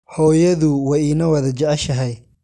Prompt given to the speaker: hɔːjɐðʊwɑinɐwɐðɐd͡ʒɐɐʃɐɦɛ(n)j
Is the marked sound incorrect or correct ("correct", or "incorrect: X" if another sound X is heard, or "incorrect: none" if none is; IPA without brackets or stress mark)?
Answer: incorrect: none